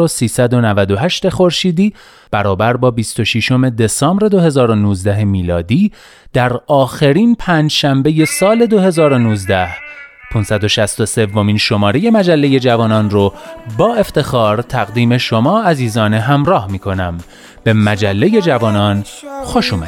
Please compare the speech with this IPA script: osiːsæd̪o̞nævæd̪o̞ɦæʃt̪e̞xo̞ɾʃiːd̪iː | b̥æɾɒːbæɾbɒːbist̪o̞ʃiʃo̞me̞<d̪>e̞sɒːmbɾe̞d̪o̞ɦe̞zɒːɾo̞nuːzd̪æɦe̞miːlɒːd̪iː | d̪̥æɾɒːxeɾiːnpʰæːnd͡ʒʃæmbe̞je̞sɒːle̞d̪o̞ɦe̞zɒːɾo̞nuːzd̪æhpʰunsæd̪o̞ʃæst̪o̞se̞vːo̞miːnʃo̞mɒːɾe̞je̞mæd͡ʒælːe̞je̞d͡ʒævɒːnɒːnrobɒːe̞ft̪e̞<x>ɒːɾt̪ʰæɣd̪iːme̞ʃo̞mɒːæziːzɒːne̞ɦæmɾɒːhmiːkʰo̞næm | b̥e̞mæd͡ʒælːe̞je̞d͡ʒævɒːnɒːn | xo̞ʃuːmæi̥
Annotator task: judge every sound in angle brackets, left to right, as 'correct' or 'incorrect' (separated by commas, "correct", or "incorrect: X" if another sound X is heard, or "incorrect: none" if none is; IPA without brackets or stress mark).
correct, correct